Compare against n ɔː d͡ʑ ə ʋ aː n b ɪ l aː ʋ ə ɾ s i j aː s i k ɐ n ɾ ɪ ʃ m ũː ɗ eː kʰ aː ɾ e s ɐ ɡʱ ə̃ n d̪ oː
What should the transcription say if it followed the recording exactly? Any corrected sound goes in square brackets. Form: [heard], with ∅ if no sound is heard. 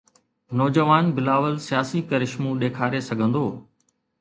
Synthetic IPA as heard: n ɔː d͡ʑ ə ʋ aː n b ɪ l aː ʋ ə [l] s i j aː s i k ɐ [∅] ɾ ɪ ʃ m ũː ɗ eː kʰ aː ɾ e s ɐ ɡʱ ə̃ n d̪ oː

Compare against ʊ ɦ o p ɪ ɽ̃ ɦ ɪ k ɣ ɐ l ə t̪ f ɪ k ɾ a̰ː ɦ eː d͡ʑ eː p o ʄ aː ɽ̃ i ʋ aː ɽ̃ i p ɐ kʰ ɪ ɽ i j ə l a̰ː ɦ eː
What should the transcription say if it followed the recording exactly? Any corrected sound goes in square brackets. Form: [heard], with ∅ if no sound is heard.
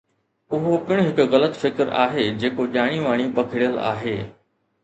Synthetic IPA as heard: ʊ ɦ o p ɪ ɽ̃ ɦ ɪ k ɣ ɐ l ə t̪ f ɪ k ɾ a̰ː ɦ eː d͡ʑ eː [k] o ʄ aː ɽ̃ i ʋ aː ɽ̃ i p ɐ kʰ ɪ ɽ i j ə l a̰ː ɦ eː

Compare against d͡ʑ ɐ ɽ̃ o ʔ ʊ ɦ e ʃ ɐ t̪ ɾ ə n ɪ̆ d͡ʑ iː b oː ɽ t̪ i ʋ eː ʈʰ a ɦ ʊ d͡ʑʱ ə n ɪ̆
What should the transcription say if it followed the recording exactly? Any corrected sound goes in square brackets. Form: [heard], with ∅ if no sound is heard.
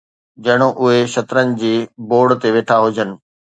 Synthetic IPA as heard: d͡ʑ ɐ ɽ̃ o ʔ ʊ ɦ e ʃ ɐ t̪ ɾ ə n ɪ̆ d͡ʑ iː b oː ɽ t̪ [e] ʋ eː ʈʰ a ɦ ʊ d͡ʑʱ ə n ɪ̆

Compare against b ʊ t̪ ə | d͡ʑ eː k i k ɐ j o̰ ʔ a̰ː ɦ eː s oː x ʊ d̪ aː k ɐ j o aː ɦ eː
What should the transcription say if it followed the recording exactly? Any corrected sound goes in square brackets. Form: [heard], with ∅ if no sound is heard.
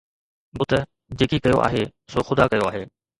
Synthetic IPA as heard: b ʊ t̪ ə | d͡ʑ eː k i k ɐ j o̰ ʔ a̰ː ɦ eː s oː x ʊ d̪ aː k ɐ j o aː ɦ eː

